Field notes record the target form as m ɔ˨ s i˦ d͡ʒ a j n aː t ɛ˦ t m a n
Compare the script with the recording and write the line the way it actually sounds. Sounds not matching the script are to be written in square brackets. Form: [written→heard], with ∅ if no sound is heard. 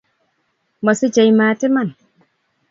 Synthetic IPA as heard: m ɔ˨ s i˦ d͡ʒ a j [n→m] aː t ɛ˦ [t→∅] m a n